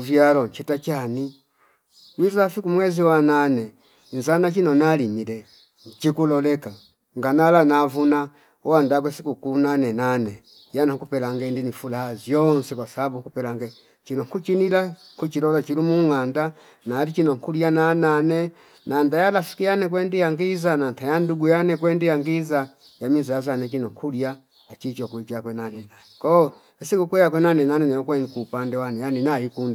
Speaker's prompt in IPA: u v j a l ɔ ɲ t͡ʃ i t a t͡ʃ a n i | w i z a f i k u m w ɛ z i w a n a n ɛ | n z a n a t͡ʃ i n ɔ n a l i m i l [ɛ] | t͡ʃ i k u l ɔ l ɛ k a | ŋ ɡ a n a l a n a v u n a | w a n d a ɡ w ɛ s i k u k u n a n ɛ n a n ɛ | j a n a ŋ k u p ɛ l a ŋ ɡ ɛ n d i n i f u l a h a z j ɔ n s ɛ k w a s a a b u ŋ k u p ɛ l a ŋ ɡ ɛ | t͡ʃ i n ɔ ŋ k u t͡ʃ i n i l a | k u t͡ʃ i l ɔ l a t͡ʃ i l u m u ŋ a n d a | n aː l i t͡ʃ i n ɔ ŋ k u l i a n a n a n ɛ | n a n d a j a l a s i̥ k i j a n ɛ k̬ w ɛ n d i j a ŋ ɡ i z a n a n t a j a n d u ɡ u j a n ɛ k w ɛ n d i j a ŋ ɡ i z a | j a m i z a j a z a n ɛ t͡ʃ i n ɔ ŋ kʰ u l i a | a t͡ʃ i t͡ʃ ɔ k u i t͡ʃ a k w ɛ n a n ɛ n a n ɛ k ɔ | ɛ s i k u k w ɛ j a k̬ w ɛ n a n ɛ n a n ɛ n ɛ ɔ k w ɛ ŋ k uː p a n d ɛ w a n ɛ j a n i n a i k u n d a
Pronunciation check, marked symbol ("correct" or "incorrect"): correct